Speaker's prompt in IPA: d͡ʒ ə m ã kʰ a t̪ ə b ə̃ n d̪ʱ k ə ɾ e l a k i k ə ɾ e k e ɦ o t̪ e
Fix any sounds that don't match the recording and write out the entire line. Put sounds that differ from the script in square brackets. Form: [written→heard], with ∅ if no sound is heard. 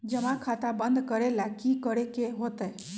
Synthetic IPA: d͡ʒ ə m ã kʰ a t̪ [ə→a] b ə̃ n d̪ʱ k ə ɾ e l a k i k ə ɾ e k e ɦ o t̪ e